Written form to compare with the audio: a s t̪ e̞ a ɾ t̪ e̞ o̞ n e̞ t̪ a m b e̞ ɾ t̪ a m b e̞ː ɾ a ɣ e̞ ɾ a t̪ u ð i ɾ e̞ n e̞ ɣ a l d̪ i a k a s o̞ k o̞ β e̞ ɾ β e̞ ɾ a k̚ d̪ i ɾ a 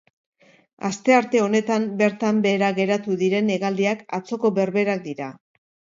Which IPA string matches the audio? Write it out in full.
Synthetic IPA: a s t̪ e̞ a ɾ t̪ e̞ o̞ n e̞ t̪ a m b e̞ ɾ t̪ a m b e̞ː ɾ a ɣ e̞ ɾ a t̪ u ð i ɾ e̞ n e̞ ɣ a l d̪ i a k a t͡s o̞ k o̞ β e̞ ɾ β e̞ ɾ a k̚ d̪ i ɾ a